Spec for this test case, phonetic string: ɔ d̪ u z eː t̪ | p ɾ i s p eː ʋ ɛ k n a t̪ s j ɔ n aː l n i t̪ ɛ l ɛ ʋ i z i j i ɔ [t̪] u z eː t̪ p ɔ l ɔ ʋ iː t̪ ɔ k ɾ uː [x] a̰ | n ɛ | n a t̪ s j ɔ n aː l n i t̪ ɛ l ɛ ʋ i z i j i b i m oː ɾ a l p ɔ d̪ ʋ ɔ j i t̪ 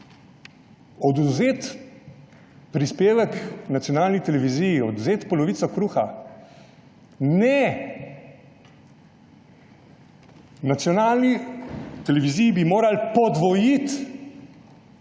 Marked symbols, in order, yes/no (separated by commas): no, yes